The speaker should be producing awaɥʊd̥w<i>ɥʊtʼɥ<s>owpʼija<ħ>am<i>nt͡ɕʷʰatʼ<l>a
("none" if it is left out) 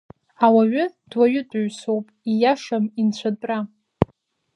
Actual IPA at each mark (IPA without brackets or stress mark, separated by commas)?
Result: a, s, ʂ, i, r